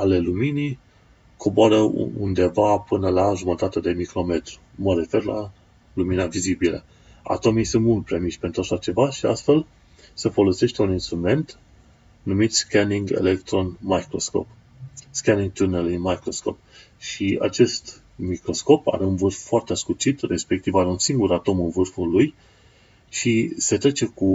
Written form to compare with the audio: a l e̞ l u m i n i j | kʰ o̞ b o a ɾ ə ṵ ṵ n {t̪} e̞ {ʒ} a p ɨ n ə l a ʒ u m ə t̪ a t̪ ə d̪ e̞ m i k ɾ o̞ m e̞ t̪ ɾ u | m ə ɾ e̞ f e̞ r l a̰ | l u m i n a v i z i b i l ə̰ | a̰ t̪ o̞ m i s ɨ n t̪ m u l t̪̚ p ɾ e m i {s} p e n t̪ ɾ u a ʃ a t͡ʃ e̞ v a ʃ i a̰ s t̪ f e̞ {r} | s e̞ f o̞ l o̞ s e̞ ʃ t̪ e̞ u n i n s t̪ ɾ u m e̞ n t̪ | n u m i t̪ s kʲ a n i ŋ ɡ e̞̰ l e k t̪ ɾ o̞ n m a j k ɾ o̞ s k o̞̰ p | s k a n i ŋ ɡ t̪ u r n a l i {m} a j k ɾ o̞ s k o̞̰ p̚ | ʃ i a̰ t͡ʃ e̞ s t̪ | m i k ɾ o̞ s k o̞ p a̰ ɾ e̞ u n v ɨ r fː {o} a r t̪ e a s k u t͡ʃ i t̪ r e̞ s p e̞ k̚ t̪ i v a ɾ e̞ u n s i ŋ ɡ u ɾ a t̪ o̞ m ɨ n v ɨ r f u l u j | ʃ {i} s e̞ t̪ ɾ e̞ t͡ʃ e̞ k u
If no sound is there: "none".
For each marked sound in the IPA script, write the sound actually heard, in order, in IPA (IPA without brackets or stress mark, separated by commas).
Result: d̪, v, ʃ, l, m, o, i